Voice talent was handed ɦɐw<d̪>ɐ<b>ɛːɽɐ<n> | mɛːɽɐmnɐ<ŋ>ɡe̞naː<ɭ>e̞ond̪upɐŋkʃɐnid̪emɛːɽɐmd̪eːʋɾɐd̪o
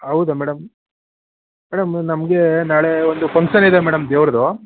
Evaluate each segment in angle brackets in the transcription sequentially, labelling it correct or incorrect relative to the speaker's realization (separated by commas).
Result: correct, incorrect, incorrect, incorrect, correct